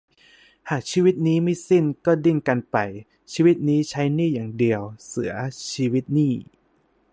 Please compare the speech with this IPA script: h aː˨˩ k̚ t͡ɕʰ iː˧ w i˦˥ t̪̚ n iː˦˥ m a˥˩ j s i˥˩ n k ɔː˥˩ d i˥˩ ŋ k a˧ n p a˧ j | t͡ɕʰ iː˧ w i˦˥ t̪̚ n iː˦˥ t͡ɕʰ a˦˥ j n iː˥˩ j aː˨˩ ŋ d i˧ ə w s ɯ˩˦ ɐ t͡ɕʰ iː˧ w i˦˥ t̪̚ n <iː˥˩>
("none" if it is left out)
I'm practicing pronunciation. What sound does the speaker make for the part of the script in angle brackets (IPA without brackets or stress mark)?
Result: iː˥˩